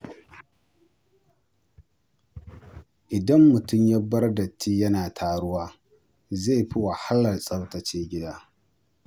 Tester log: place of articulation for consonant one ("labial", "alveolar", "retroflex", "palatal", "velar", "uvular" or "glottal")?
glottal